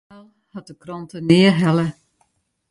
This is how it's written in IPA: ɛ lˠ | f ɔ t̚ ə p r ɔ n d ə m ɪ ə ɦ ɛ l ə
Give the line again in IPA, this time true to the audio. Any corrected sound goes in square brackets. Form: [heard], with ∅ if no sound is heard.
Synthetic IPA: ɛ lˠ | [h] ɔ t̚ ə [k] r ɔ n [t] ə [n] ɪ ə ɦ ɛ l ə